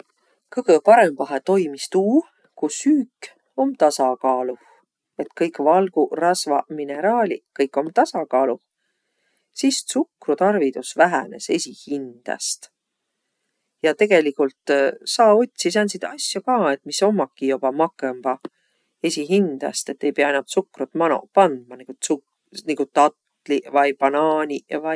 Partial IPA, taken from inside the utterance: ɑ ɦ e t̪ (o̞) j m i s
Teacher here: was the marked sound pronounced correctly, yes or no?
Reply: yes